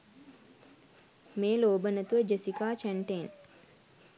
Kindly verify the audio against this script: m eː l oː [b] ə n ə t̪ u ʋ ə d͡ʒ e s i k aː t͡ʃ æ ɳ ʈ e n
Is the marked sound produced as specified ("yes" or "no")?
yes